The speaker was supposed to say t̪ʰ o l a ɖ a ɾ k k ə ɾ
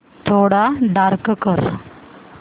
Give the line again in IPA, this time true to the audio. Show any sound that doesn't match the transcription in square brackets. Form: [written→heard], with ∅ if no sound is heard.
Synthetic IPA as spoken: t̪ʰ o [l→ɽ] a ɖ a ɾ k k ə ɾ